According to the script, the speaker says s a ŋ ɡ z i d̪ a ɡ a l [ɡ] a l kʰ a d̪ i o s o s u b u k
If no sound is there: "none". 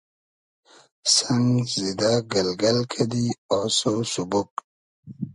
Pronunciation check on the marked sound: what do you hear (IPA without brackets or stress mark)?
ɡ